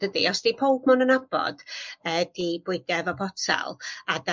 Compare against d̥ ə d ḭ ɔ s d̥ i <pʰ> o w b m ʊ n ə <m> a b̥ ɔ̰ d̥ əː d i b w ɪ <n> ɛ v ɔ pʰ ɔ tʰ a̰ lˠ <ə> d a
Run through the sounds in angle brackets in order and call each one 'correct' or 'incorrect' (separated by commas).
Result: correct, incorrect, incorrect, incorrect